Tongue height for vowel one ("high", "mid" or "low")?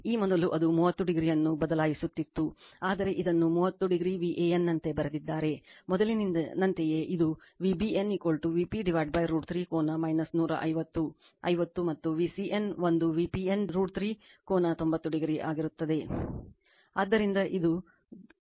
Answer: high